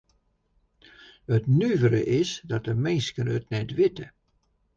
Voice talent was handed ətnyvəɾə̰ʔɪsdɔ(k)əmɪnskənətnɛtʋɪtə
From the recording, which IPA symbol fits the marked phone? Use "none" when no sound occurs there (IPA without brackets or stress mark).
t